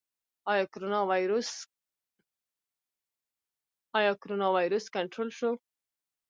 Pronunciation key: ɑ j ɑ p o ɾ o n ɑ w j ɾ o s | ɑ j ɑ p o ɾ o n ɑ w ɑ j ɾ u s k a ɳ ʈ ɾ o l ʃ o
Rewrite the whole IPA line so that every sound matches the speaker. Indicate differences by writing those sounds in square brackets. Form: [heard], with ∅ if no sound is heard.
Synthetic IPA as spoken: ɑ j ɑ [k] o ɾ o n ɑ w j ɾ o s | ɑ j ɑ [k] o ɾ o n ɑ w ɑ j ɾ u s k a ɳ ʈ ɾ o l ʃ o